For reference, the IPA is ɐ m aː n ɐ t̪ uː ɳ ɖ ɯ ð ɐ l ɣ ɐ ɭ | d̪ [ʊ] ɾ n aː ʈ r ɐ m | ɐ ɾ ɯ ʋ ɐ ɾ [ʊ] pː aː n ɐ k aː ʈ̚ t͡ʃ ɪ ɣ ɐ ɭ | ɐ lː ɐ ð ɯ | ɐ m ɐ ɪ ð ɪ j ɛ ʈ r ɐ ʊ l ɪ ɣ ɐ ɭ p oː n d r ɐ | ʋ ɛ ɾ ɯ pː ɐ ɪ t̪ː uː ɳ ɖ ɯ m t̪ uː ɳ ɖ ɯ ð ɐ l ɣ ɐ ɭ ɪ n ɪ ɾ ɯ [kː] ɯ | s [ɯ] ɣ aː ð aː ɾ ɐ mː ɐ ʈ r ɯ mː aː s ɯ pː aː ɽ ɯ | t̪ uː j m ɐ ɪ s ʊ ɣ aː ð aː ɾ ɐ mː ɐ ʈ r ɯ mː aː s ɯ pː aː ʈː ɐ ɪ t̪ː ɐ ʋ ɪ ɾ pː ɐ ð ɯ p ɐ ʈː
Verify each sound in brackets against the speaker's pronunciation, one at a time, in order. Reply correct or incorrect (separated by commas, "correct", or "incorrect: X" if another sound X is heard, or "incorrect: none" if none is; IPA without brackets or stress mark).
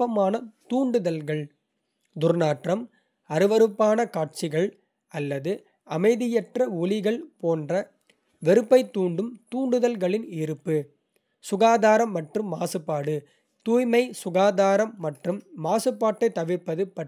correct, incorrect: ɯ, incorrect: pː, incorrect: ʊ